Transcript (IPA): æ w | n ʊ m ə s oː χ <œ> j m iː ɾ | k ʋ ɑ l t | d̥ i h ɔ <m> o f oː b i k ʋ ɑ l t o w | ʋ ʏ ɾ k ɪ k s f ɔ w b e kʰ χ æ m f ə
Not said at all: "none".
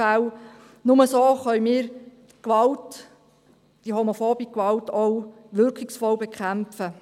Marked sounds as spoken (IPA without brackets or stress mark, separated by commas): œ, m